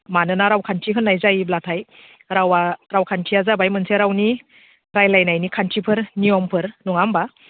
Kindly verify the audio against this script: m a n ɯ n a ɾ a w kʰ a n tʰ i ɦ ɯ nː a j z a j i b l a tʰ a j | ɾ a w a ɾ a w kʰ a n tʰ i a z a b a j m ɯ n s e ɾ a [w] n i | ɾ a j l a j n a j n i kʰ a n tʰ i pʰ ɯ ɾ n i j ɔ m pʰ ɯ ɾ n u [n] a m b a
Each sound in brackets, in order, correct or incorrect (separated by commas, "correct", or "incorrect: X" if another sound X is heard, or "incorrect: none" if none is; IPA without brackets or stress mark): correct, incorrect: ŋ